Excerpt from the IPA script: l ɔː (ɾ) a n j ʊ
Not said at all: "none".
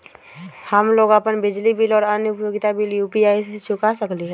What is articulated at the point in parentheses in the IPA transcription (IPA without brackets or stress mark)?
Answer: ɾ